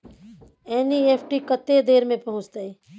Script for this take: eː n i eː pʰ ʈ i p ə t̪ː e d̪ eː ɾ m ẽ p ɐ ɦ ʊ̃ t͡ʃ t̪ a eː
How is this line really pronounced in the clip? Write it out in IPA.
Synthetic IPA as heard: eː n i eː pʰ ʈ i k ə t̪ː e d̪ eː ɾ m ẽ p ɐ ɦ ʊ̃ t͡ʃ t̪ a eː